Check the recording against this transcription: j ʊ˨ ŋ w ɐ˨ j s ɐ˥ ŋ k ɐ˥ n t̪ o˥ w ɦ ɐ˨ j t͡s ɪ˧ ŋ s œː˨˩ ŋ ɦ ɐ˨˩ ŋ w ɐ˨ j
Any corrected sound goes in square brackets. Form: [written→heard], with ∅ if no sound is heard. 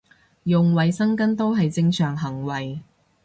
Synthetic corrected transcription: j ʊ˨ ŋ w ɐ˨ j s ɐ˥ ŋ k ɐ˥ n t̪ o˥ w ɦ ɐ˨ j t͡s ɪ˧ ŋ s œː˨˩ ŋ ɦ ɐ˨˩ ŋ w ɐ˨ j